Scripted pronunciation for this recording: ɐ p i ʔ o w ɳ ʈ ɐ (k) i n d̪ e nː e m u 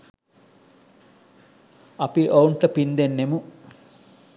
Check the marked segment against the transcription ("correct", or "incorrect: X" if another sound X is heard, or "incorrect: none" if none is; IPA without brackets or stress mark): incorrect: p